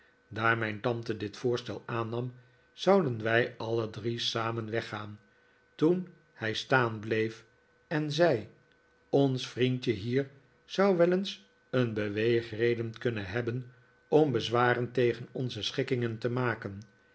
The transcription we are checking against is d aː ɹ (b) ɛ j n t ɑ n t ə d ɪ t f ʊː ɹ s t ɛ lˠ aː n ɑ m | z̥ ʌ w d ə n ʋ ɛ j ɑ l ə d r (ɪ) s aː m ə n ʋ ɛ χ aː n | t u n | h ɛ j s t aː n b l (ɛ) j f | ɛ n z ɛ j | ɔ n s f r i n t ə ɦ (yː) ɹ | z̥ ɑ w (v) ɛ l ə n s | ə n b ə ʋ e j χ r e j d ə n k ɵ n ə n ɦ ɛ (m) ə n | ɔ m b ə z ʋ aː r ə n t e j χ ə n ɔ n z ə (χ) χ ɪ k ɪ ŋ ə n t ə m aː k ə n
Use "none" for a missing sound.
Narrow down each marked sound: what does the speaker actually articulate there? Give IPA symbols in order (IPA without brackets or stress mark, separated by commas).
m, i, e, iː, ʋ, b, s